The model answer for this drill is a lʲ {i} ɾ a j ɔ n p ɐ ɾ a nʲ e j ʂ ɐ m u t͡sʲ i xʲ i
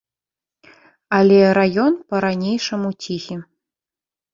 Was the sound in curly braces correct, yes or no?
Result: no